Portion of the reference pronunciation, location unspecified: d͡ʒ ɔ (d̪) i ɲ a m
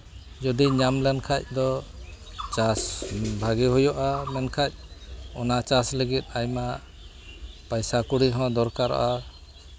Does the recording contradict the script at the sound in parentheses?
no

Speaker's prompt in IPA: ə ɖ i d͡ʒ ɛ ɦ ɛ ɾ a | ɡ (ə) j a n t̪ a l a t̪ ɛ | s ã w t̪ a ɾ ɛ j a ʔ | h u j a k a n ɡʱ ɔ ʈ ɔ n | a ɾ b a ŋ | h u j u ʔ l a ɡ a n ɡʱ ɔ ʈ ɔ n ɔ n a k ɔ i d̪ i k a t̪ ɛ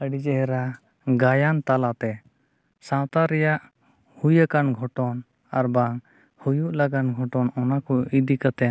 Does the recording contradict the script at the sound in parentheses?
yes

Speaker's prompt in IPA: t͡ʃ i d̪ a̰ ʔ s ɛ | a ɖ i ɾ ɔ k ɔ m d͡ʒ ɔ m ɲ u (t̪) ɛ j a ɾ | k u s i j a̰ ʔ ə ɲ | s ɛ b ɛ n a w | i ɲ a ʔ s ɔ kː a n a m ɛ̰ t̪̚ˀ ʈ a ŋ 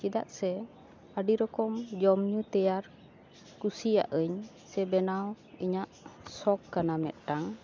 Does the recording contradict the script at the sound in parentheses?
no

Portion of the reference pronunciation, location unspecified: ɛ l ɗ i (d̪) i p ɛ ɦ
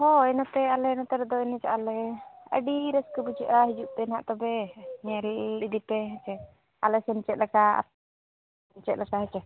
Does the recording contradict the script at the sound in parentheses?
no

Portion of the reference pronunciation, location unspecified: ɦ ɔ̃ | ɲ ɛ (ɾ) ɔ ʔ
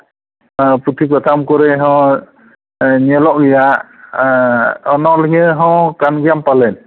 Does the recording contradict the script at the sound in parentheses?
yes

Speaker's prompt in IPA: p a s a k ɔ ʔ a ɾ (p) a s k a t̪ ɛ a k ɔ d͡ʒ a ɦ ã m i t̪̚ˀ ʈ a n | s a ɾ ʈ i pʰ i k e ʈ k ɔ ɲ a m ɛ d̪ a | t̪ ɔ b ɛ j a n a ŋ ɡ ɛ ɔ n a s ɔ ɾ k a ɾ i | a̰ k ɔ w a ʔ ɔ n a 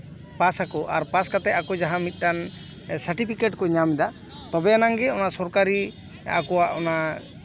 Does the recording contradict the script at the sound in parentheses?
no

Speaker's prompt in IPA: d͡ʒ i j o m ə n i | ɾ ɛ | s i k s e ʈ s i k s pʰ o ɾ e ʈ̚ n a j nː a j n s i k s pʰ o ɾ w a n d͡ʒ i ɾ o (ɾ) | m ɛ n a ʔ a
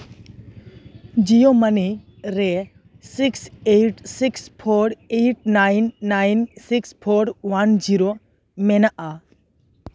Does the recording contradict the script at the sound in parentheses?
yes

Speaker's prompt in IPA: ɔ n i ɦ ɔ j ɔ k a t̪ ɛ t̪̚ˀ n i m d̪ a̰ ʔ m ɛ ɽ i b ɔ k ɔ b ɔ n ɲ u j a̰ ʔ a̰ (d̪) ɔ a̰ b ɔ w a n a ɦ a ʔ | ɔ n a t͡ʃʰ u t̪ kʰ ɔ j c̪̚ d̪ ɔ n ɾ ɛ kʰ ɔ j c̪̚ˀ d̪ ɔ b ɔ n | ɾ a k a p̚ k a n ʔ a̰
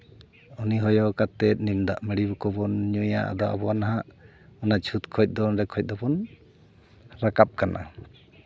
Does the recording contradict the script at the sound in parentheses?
no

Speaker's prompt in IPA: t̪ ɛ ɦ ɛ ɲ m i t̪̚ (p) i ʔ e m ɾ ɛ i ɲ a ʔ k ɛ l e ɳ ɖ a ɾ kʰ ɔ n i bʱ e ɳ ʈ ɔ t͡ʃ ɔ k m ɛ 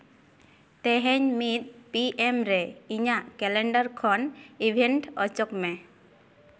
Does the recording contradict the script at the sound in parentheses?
no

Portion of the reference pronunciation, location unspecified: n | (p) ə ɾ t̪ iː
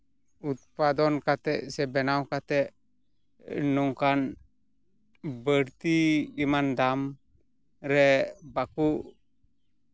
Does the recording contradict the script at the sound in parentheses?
yes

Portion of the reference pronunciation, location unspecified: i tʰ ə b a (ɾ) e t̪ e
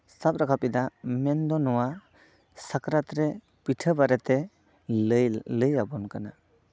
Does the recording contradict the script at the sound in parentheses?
no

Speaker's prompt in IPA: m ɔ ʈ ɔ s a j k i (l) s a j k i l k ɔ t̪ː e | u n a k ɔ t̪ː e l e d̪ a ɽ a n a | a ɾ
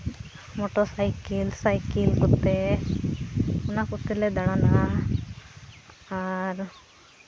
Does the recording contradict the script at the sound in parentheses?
no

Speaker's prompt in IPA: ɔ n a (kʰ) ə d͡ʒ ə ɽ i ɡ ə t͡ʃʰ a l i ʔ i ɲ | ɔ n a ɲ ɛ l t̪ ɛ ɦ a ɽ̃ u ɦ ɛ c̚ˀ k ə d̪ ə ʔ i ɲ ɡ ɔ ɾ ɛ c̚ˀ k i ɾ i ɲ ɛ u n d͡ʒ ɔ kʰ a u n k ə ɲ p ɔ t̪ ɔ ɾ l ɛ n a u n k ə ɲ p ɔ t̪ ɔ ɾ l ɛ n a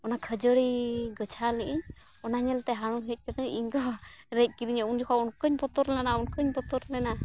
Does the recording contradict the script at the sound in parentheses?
no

